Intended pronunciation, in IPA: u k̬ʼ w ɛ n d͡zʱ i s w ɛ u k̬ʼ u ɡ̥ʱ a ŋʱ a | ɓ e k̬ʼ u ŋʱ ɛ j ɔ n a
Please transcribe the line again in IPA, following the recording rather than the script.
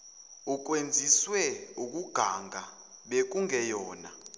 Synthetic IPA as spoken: u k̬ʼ w e n d͡zʱ i s w ɛ u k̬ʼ u ɡ̥ʱ a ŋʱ a | ɓ e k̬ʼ u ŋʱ ɛ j ɔː n a